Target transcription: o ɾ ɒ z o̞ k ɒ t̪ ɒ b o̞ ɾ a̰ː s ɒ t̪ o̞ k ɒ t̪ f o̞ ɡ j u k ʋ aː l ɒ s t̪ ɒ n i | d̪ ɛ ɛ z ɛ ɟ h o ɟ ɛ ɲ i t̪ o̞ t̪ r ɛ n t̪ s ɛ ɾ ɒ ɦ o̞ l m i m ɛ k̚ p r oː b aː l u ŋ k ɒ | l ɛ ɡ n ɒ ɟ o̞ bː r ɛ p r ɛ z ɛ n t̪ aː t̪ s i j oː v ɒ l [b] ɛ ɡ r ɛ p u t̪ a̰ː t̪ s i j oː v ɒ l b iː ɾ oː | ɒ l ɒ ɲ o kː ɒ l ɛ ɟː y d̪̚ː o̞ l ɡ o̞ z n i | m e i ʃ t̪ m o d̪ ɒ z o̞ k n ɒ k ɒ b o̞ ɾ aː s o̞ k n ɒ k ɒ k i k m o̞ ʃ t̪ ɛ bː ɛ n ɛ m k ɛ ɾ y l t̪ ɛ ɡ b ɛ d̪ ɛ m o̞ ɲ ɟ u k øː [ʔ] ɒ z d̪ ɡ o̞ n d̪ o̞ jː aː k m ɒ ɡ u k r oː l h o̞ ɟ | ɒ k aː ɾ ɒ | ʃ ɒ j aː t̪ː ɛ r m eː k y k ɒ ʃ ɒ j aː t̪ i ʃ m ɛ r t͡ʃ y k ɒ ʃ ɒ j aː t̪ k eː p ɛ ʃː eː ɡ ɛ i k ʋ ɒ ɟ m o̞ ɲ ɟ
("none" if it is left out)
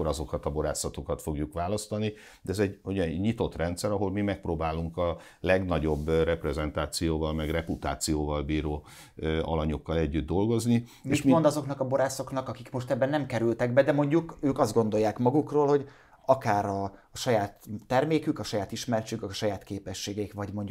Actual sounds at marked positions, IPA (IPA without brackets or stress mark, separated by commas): m, k